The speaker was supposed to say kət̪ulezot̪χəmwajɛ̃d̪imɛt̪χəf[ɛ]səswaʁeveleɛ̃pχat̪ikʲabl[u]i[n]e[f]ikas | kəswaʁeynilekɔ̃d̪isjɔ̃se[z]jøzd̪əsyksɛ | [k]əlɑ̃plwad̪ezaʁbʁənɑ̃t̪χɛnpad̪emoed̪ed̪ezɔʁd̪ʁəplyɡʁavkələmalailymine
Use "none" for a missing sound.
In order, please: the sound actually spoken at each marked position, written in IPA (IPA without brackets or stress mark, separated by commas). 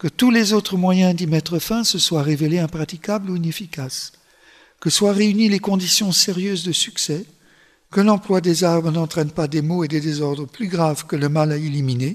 ɛ̃, u, n, f, ʁ, k